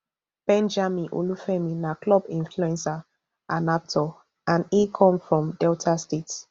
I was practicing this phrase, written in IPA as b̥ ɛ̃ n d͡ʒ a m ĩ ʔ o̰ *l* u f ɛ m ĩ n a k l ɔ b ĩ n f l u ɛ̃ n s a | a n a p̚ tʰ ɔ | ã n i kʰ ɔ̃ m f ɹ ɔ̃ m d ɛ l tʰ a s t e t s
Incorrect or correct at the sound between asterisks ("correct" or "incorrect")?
correct